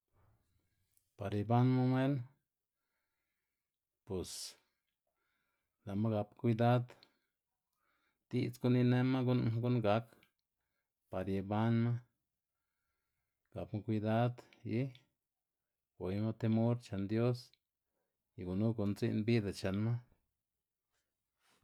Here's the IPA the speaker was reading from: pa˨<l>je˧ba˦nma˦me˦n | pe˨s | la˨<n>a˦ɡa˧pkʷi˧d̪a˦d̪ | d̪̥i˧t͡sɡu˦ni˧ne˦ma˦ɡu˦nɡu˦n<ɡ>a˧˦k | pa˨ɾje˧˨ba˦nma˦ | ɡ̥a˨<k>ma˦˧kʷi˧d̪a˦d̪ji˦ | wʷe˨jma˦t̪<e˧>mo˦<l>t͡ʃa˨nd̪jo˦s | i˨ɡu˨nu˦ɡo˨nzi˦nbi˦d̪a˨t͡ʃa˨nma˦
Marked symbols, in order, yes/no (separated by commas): no, no, yes, no, yes, no